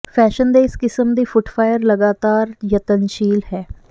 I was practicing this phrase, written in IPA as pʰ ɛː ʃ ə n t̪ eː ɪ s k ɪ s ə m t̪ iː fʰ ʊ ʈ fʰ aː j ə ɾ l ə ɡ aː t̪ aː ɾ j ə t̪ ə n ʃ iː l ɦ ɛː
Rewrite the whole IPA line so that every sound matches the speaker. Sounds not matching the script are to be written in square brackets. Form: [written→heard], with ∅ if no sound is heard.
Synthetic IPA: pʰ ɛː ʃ ə n [t̪→d̪] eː ɪ s k ɪ s ə m [t̪→d̪] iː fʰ ʊ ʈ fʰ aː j ə ɾ l ə ɡ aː t̪ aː ɾ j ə t̪ ə n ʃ iː l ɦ ɛː